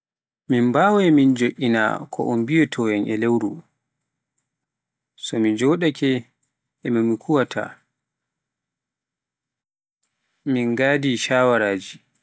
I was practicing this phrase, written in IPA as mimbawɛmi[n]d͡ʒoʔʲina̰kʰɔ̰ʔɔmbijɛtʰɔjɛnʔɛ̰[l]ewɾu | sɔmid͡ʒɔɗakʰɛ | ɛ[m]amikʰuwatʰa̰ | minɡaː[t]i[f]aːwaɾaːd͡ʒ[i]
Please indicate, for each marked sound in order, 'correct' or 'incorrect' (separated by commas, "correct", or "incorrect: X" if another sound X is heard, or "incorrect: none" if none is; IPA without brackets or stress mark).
correct, correct, correct, incorrect: d, incorrect: ʃ, correct